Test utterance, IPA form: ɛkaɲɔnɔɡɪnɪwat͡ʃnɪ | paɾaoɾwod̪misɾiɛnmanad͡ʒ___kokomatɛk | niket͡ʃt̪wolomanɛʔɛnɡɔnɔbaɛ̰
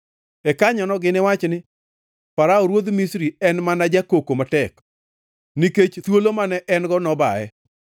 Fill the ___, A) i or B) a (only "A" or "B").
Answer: B